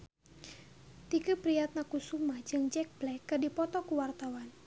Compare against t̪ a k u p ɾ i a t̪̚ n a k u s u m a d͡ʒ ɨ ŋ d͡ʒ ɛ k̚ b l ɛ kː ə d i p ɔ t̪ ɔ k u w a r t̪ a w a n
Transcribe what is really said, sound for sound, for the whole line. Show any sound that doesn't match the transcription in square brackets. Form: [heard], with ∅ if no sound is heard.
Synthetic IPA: t̪ [i] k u p ɾ i a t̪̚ n a k u s u m a d͡ʒ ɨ ŋ d͡ʒ ɛ k̚ b l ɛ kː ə d i p ɔ t̪ ɔ k u w a r t̪ a w a n